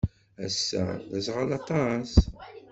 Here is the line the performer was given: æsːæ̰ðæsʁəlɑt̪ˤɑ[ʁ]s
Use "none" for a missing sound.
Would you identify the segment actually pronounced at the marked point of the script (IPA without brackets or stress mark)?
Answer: none